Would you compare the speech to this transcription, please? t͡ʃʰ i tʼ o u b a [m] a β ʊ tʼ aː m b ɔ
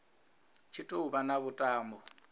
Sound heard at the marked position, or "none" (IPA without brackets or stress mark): n